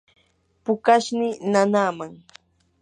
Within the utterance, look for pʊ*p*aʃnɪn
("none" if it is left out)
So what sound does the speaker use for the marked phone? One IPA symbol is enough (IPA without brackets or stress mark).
k